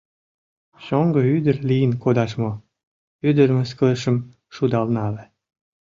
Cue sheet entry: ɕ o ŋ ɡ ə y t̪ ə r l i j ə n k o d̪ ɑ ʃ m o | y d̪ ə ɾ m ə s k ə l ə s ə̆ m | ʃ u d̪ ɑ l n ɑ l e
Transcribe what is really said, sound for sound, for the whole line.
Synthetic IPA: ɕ o ŋ ɡ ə y d̪ ə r l i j ə n k o d̪ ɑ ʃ m o | y d̪ ə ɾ m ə s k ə l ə ʃ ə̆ m | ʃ u d̪ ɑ l n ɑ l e